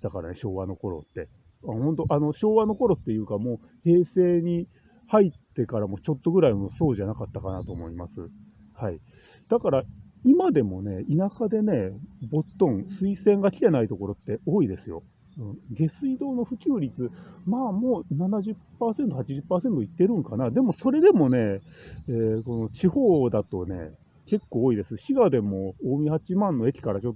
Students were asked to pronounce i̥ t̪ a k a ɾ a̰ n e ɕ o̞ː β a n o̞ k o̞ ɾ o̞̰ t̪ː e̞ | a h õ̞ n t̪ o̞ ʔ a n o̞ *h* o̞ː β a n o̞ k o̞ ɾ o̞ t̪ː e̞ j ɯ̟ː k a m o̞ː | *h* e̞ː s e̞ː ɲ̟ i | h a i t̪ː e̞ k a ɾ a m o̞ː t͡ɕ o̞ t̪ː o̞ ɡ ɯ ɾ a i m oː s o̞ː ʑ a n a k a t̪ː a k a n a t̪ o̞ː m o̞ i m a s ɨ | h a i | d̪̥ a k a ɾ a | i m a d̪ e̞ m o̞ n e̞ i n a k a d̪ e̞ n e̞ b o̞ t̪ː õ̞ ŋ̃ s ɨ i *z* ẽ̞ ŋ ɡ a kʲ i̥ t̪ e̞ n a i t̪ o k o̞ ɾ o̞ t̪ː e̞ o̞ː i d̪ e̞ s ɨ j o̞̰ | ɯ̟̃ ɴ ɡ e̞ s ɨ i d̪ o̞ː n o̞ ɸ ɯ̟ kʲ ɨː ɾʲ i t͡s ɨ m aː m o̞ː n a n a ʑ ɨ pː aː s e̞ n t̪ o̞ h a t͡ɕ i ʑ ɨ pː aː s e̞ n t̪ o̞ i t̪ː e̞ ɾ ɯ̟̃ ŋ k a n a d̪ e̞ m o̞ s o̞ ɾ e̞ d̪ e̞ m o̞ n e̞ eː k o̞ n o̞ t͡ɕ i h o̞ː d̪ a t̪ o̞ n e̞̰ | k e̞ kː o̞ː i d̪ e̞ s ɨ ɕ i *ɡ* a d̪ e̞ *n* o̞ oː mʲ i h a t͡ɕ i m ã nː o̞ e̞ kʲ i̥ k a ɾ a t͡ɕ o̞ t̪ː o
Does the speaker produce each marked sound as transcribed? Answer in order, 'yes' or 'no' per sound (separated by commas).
no, yes, no, yes, no